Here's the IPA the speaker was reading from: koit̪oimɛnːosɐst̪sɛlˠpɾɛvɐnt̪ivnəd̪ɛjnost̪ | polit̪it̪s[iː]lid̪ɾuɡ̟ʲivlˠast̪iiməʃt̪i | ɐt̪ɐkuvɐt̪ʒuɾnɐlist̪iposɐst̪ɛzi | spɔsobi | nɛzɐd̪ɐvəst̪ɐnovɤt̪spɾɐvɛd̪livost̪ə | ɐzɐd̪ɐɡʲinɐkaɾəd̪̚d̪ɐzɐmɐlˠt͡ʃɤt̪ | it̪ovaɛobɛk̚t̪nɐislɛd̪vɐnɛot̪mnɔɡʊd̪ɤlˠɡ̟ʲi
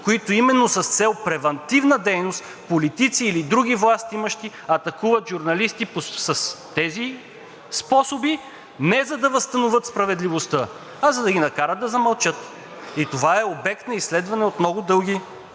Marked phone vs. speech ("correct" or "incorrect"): correct